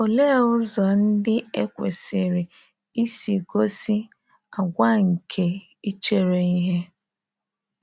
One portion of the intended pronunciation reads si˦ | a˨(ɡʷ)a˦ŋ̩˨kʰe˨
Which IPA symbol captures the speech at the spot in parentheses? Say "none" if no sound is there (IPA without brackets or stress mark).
ɡʷ